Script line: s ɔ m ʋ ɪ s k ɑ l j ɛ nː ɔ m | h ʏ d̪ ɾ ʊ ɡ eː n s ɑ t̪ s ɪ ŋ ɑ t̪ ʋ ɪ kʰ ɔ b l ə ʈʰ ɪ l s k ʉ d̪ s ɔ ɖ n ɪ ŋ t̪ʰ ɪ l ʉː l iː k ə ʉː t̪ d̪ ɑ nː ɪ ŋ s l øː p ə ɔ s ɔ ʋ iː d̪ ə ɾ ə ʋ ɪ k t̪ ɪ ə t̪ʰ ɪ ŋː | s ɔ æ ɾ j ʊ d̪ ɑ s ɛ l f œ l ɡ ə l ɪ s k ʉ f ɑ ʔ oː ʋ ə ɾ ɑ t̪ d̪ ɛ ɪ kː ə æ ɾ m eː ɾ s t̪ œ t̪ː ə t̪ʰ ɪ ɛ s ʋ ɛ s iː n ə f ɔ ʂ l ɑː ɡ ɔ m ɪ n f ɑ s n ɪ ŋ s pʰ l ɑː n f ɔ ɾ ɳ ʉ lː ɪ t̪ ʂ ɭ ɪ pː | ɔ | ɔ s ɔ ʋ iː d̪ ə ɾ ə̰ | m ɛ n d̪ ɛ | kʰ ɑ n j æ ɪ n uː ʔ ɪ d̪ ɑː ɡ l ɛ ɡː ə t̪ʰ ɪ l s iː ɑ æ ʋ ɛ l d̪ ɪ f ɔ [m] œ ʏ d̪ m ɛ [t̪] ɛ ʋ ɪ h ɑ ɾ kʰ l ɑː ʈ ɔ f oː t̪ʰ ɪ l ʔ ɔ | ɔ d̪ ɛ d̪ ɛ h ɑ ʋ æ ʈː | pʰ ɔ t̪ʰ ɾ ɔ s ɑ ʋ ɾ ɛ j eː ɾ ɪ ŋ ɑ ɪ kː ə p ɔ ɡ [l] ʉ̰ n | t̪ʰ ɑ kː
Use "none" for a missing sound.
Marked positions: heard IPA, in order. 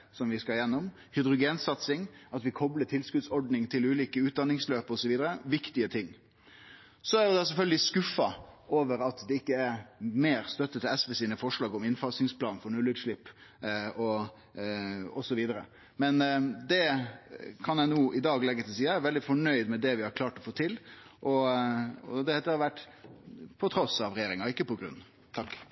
ɳ, d̪, ɾ

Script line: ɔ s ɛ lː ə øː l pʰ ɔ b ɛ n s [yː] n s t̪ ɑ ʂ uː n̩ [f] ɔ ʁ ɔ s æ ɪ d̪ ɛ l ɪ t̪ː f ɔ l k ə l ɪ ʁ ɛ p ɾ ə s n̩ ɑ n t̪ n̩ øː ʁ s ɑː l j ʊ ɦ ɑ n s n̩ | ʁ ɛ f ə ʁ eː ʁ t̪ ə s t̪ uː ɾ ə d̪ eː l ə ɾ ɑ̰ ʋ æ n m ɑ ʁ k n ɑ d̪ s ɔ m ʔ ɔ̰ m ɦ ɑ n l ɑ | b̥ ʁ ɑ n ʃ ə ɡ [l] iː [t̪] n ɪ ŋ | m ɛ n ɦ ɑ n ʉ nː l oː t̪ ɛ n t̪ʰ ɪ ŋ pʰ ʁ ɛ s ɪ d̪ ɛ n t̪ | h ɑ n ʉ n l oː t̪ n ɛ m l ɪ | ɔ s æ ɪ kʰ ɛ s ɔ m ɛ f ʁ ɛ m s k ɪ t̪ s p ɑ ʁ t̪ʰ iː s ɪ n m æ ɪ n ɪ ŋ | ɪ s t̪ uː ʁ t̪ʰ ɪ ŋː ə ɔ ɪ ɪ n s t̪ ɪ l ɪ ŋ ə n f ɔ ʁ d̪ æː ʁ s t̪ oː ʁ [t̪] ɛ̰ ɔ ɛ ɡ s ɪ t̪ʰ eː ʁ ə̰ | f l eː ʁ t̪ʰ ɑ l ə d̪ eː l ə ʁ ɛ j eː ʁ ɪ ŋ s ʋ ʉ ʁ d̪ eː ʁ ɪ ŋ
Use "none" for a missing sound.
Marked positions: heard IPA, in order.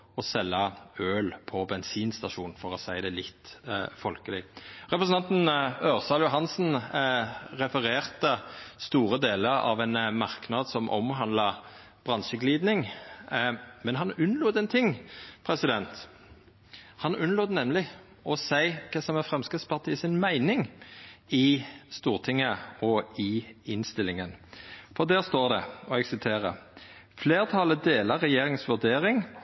iː, f, l, d̪, d̪

